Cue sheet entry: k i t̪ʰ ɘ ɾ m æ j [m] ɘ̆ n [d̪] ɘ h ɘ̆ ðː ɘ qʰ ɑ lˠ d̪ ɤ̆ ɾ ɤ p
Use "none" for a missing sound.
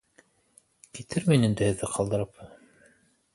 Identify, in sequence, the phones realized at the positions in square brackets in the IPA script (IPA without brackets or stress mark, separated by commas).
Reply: n, d̪